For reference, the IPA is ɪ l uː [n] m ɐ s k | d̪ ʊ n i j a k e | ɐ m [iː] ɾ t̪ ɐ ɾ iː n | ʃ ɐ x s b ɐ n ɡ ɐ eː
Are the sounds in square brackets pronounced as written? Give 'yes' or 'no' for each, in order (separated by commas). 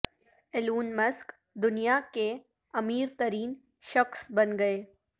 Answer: yes, yes